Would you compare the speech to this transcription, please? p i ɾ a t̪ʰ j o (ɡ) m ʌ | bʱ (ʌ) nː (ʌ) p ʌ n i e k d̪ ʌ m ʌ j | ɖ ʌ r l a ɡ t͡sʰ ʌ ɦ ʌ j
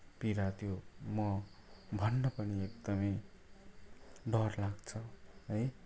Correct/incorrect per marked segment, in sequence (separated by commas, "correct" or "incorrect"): incorrect, correct, correct